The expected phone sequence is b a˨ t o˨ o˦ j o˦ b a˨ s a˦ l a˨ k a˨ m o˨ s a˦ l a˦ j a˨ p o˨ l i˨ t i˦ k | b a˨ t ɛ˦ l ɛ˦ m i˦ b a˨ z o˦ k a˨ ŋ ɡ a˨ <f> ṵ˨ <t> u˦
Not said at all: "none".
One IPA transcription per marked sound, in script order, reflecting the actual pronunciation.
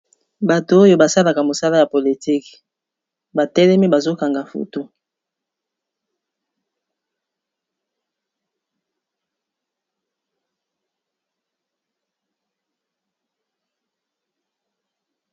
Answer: f, t

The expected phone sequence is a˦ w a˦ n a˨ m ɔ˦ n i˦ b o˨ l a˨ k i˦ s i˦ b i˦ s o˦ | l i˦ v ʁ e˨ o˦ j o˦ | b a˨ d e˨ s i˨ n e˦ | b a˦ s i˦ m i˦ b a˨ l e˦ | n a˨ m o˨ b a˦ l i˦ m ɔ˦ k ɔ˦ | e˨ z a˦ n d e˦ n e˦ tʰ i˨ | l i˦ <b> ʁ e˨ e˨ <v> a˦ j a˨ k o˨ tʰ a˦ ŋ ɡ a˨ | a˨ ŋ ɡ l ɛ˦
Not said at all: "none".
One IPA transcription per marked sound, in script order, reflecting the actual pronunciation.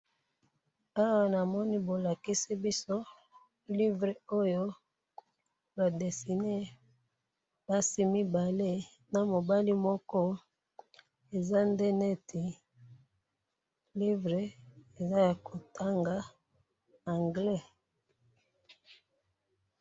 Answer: v, z

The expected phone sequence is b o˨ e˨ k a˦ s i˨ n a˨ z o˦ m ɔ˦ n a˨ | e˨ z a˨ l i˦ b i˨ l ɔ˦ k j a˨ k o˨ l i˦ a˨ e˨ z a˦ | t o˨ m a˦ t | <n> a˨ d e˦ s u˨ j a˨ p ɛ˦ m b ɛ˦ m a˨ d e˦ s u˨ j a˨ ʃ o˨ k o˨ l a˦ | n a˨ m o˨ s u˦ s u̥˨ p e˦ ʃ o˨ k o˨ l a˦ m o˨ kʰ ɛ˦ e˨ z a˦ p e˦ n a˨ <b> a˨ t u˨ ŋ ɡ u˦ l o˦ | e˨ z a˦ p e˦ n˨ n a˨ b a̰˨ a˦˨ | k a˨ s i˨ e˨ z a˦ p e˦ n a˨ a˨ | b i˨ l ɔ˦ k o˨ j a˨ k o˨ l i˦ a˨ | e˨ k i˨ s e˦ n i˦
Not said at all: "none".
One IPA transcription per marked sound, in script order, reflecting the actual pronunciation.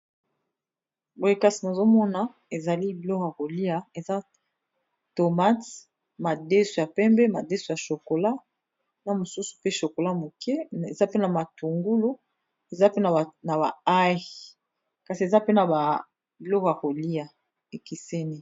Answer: m, m

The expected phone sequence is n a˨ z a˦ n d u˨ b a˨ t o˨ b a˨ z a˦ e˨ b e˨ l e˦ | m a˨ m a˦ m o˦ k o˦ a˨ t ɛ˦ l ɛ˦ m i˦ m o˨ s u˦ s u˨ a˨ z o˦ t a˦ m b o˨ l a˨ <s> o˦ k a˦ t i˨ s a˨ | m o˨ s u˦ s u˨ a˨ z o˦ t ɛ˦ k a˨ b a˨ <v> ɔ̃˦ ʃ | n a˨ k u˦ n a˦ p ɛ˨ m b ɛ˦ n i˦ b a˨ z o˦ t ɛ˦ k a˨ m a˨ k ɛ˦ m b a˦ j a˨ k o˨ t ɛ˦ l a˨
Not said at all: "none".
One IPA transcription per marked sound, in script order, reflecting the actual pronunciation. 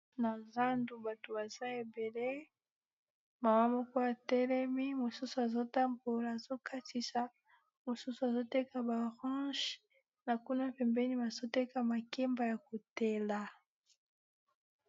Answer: z, ʁ

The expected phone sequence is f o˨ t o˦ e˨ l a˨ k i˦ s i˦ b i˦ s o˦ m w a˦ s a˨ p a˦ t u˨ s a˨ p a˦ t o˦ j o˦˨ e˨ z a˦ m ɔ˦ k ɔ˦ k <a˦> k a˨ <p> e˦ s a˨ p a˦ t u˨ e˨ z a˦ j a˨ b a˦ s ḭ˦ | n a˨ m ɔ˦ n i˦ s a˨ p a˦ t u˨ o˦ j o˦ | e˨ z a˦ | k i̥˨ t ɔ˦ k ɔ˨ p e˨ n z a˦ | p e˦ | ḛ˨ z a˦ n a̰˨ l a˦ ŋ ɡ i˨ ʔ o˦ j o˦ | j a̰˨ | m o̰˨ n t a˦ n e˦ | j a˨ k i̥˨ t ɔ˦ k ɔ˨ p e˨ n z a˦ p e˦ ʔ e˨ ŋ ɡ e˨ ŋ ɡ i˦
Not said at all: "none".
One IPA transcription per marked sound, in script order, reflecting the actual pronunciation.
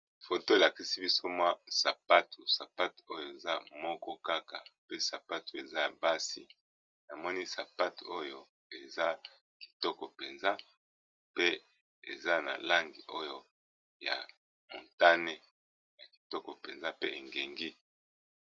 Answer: a˦, p

